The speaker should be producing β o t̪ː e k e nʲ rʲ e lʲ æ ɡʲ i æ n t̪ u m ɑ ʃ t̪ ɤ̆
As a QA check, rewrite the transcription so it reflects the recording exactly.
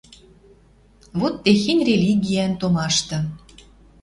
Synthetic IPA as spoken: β o t̪ː e x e nʲ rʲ e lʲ i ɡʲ i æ n t̪ o m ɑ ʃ t̪ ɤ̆